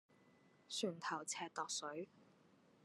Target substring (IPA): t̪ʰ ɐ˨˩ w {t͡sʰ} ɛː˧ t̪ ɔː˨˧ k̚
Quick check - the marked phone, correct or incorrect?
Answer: correct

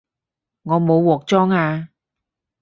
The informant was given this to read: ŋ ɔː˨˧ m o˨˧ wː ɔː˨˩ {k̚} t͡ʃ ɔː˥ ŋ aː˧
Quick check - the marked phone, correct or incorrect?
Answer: correct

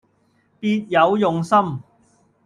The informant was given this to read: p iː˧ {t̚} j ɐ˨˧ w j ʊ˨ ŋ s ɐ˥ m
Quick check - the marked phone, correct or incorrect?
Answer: correct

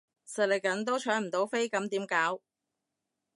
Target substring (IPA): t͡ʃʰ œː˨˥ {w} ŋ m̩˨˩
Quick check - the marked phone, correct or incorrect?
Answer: incorrect: none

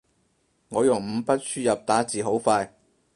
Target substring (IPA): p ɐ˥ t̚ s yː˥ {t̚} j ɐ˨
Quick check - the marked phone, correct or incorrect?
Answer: incorrect: none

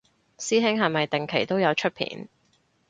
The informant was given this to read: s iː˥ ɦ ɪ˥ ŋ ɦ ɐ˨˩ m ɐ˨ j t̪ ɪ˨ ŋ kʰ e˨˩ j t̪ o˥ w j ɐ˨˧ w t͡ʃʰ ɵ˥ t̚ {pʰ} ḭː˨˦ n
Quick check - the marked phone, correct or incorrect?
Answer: correct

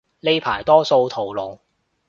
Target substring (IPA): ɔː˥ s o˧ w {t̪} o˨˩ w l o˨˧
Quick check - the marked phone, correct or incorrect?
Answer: incorrect: t̪ʰ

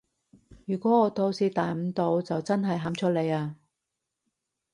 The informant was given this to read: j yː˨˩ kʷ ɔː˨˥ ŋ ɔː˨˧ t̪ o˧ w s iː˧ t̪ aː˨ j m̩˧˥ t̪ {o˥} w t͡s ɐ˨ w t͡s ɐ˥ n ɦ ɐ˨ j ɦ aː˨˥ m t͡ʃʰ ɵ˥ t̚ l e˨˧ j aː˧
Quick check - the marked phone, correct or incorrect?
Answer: incorrect: o˨˧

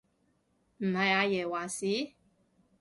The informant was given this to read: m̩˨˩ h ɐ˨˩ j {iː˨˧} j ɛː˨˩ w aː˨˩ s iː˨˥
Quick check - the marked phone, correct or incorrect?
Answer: incorrect: aː˨˧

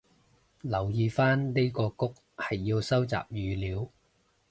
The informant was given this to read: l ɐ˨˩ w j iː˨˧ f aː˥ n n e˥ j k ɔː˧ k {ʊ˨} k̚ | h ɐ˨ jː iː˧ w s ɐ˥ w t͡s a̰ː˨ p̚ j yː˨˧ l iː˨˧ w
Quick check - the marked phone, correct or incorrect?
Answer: incorrect: ʊ˥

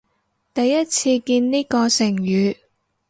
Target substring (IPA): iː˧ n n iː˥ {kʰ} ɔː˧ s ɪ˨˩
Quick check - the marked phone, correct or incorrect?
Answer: incorrect: k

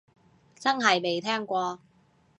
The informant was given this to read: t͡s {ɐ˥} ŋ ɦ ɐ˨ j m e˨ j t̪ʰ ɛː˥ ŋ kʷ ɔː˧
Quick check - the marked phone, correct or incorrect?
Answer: correct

